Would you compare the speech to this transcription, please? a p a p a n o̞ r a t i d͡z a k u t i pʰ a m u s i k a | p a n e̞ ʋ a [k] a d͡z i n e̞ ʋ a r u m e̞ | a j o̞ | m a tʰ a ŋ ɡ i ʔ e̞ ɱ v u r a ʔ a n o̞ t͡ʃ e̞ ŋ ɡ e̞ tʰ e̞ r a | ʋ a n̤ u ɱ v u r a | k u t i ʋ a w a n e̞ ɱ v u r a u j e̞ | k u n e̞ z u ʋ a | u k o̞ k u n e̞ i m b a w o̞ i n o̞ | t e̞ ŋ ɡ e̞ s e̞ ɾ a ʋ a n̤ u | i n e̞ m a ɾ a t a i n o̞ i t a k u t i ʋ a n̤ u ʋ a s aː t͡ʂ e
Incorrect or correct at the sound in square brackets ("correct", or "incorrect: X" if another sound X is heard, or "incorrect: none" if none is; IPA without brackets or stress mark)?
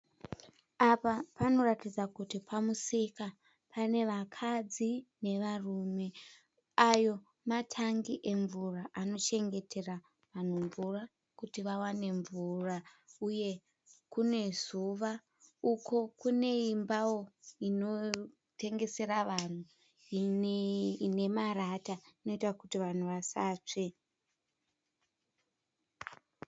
incorrect: kʰ